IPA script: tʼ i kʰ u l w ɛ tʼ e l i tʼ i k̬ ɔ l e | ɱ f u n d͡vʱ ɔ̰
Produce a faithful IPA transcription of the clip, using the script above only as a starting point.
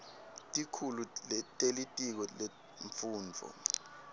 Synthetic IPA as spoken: tʼ i kʰ u l u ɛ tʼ e l i tʼ i k̬ ɔ l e | ɱ f uː n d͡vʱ ɔ̰